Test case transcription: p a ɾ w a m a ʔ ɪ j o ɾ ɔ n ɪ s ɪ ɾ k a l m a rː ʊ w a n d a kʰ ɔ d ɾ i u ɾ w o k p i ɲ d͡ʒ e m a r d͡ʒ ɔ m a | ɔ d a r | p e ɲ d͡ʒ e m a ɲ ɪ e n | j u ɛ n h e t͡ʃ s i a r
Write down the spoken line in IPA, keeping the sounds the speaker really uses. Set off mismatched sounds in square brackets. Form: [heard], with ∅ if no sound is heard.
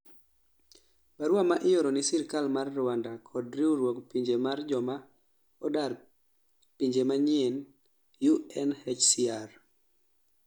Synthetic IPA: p a ɾ w a m a ʔ ɪ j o ɾ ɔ n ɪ s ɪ ɾ k a l m a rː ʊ w a n d a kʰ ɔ d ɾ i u ɾ w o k p i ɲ d͡ʒ e m a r d͡ʒ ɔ m a | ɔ d a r | p [i] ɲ d͡ʒ e m a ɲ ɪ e n | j u ɛ n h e t͡ʃ s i a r